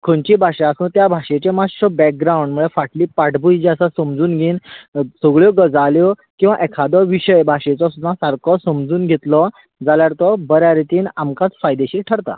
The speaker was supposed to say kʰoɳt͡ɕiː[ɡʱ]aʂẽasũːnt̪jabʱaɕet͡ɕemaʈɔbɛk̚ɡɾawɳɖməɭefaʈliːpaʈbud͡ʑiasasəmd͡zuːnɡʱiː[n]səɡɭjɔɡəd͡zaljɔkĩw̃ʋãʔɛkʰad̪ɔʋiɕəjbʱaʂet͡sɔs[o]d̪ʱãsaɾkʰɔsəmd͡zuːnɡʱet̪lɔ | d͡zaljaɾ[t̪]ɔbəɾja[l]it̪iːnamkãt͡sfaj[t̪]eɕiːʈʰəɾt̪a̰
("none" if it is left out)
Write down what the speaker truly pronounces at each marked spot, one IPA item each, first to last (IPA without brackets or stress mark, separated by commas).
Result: bʱ, n, u, t̪, ɾ, d̪